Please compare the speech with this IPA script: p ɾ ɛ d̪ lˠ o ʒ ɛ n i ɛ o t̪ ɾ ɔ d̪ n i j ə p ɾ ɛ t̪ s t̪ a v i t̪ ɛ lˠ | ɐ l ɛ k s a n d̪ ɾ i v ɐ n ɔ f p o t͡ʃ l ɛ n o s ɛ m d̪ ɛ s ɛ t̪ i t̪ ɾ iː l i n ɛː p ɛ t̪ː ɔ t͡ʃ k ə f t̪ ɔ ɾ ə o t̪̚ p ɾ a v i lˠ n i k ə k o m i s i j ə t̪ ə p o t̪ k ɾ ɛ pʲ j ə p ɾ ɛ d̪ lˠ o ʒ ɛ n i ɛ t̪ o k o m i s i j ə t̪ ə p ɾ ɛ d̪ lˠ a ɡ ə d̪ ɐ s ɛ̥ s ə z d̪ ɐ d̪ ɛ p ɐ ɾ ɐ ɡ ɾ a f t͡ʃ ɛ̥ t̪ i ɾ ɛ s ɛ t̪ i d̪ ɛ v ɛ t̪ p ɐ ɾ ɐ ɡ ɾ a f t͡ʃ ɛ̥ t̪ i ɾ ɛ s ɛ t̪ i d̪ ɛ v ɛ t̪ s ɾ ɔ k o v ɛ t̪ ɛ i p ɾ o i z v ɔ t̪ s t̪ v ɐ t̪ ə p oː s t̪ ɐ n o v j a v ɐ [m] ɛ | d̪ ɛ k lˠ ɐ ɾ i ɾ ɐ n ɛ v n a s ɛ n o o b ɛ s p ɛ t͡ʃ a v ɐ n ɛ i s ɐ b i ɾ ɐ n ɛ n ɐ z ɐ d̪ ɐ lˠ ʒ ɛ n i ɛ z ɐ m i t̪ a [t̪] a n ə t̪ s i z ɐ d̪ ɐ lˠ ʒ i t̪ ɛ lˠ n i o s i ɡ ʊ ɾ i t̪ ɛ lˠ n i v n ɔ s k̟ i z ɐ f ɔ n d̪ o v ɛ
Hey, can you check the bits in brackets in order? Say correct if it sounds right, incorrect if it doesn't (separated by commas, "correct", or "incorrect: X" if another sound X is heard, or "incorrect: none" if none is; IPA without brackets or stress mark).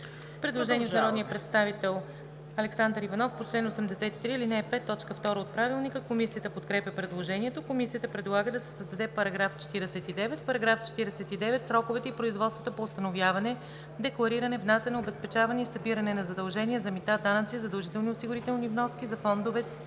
incorrect: n, incorrect: d̪